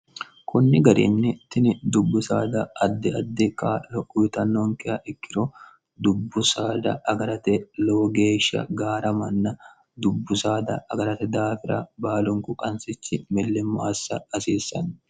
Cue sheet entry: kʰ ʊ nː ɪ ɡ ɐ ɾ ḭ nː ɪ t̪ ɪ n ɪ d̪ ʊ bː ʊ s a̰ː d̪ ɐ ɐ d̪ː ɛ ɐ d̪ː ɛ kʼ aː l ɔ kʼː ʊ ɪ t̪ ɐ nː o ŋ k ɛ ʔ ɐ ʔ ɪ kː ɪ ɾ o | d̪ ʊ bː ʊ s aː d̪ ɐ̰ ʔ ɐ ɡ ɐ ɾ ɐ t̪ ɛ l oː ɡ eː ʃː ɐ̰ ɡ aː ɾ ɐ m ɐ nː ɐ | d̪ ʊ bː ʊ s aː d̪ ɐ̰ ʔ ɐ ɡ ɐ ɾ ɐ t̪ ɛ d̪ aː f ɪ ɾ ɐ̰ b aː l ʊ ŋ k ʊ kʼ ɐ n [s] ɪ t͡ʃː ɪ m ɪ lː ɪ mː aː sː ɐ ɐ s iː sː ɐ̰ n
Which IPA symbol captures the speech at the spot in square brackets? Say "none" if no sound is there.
s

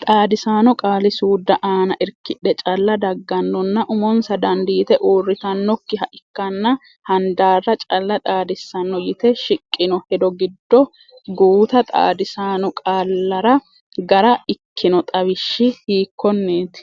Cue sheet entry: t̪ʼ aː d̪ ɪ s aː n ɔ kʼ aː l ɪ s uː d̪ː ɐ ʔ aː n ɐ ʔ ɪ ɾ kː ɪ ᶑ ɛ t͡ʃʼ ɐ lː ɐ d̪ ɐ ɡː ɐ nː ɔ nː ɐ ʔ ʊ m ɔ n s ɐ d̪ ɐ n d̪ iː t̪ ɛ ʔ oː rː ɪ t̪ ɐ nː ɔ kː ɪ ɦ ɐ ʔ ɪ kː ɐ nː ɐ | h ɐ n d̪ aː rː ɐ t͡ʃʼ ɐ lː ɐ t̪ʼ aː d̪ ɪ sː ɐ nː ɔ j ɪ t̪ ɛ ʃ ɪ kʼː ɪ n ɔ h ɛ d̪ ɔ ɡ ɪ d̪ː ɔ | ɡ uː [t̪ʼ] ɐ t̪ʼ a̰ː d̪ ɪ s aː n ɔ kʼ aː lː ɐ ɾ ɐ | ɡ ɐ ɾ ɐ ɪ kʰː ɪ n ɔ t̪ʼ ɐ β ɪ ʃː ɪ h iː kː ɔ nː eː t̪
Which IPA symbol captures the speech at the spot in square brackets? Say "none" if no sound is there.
t̪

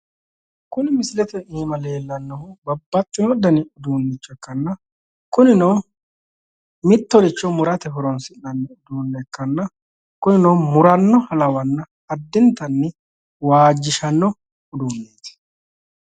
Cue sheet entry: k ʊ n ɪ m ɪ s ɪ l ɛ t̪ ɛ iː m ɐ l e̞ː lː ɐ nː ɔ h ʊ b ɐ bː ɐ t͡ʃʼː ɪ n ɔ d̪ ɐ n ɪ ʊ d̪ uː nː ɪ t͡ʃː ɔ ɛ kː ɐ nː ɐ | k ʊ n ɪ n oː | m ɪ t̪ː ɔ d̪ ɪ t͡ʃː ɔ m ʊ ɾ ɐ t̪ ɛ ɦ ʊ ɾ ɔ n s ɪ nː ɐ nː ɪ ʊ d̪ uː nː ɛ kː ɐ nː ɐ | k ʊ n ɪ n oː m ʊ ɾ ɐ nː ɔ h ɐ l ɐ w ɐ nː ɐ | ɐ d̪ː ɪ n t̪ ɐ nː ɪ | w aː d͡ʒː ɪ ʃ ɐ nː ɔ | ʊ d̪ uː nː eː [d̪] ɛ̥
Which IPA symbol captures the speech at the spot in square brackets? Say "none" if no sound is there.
t̪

